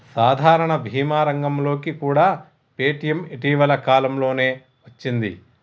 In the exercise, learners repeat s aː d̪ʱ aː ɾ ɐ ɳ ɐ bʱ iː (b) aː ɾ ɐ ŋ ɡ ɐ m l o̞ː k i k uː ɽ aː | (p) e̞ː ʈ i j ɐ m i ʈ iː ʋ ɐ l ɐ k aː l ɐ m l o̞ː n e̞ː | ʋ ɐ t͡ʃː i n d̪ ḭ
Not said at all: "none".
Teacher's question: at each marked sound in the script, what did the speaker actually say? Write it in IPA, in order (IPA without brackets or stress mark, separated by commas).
m, p